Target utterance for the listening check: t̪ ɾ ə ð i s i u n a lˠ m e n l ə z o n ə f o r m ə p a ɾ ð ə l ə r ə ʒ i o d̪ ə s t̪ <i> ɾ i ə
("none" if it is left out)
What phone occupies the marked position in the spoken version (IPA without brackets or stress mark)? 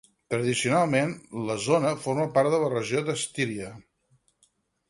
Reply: i